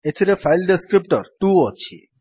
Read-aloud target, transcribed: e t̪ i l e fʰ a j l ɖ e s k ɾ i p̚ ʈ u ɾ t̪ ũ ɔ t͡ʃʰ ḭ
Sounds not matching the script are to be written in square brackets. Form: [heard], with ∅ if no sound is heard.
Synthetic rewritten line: e [t̪ʰ] i [ɾ] e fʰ a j l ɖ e s k ɾ i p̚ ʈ [ɔ] ɾ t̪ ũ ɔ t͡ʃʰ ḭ